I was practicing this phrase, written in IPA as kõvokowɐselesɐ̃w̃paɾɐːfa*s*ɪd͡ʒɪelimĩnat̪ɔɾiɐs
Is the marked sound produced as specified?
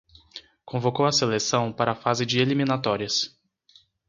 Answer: no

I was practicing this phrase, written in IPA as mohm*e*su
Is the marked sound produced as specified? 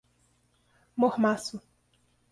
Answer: no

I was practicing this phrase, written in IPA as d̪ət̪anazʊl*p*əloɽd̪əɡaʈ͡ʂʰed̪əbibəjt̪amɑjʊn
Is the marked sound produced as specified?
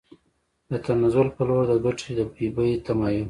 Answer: yes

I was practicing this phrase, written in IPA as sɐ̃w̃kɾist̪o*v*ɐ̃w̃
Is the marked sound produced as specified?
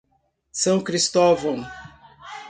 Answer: yes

